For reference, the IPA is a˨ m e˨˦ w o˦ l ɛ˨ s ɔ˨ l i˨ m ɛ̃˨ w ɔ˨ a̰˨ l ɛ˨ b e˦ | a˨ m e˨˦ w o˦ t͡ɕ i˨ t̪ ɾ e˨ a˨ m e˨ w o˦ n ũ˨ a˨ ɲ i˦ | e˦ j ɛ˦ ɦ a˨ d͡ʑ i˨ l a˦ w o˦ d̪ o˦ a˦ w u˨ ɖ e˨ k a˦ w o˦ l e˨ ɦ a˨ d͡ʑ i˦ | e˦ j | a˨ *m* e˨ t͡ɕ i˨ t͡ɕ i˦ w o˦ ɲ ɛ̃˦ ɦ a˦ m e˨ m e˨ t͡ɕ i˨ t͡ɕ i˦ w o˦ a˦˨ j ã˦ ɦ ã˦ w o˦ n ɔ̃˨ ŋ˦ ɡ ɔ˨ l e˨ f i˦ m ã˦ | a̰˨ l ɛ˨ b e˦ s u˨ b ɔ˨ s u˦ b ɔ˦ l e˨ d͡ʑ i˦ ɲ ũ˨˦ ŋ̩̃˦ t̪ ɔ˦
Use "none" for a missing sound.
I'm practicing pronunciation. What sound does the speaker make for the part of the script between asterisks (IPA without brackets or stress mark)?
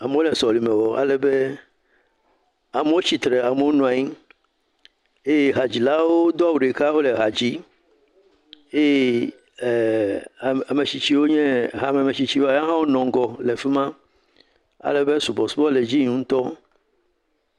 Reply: m